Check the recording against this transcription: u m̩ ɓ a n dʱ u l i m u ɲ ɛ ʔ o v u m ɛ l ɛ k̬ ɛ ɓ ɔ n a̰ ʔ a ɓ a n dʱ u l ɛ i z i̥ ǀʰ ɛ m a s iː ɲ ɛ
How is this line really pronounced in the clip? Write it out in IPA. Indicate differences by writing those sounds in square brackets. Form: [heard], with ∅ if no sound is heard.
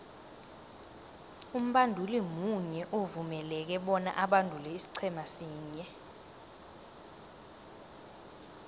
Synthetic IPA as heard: u m̩ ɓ a n dʱ u l i m u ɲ ɛ ʔ o v u m ɛ l ɛ k̬ ɛ ɓ ɔ n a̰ ʔ a ɓ a n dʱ u l ɛ i [s] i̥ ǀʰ ɛ m a s iː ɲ ɛ

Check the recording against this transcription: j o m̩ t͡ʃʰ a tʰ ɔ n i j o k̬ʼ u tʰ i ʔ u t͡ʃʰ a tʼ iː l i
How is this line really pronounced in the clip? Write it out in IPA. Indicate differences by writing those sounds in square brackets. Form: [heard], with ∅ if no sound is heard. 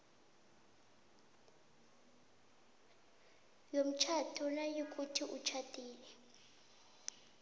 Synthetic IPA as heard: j o m̩ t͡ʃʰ a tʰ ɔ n [a] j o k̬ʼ u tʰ i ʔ u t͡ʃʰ a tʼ iː l [ɛ]

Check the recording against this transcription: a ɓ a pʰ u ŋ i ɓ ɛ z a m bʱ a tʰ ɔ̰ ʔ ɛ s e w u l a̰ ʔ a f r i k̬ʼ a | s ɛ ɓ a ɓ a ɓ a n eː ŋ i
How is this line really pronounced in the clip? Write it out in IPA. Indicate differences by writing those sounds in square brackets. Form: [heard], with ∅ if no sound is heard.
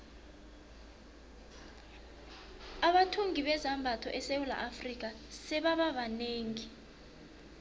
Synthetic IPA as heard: a ɓ a [tʰ] u ŋ i ɓ ɛ z a m bʱ a tʰ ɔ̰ ʔ ɛ s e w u l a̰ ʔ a f r i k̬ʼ a | s ɛ ɓ a ɓ a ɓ a n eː ŋ i

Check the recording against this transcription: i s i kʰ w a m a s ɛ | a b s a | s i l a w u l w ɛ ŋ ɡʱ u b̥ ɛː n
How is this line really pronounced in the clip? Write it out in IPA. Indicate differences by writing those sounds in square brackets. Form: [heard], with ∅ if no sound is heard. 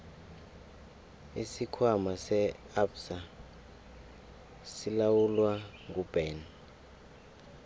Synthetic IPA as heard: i s i kʰ w a m a s ɛ | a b s a | s i l a w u l w [a] ŋ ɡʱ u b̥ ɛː n

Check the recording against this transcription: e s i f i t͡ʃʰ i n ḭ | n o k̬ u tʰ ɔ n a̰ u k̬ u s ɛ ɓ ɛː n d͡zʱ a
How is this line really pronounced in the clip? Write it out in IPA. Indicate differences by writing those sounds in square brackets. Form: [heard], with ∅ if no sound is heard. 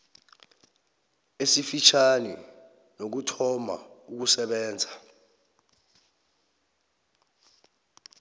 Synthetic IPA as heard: e s i f i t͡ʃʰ [a] n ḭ | n o k̬ u tʰ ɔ [m] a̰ u k̬ u s ɛ ɓ ɛː n d͡zʱ a

